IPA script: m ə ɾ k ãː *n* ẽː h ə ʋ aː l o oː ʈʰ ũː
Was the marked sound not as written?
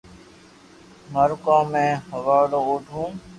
yes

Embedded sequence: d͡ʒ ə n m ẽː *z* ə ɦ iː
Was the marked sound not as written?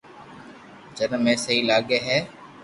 yes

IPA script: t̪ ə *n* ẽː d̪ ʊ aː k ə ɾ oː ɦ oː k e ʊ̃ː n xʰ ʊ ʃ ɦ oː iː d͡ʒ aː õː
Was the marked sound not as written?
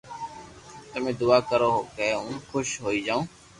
yes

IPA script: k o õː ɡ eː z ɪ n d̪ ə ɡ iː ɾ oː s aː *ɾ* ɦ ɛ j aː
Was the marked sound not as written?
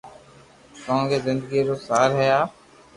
no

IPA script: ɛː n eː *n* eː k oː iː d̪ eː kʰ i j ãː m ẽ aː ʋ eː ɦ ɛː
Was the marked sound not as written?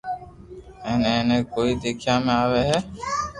no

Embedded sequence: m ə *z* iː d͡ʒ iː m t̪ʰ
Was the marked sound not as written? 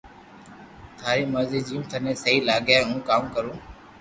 no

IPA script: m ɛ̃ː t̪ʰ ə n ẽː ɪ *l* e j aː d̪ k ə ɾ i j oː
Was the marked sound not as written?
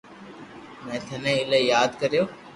no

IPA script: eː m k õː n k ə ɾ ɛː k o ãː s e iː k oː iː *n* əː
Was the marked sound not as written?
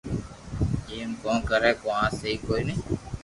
no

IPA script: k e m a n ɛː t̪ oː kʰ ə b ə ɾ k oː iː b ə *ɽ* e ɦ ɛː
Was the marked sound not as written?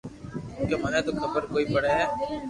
no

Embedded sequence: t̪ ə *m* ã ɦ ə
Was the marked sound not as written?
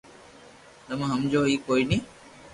no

